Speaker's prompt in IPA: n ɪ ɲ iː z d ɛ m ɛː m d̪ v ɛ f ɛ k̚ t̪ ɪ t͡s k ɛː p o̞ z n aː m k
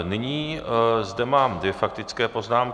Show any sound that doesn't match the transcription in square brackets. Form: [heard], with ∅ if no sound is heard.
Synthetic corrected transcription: n ɪ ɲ iː z d ɛ m [aː] m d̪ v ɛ f [a] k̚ t̪ ɪ t͡s k ɛː p o̞ z n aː m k